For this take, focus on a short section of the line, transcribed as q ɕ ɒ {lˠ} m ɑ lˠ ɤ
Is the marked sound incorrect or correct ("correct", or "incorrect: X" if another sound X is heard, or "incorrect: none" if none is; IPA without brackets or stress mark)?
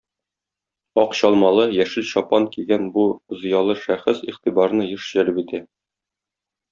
correct